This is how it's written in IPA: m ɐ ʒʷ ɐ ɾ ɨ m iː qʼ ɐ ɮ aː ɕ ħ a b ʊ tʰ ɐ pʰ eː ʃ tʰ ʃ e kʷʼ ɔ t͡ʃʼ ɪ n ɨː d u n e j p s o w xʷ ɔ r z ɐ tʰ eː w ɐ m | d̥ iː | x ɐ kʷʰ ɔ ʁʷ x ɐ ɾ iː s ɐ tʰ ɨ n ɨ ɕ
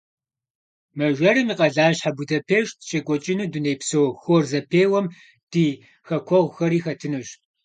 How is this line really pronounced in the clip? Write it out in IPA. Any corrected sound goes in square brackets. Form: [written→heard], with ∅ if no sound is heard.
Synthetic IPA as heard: m ɐ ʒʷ ɐ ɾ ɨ m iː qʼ ɐ ɮ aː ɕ ħ a b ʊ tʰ ɐ pʰ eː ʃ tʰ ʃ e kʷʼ ɔ t͡ʃʼ ɪ n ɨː d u n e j p s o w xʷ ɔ r z ɐ [tʰ→pʰ] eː w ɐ m | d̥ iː | x ɐ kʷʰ ɔ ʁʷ x ɐ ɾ iː [s→x] ɐ tʰ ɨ n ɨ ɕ